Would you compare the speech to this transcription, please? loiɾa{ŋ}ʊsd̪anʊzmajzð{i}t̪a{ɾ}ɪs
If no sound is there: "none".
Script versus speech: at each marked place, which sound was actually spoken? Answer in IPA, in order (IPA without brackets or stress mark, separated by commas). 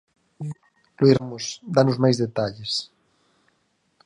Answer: m, e, ʎ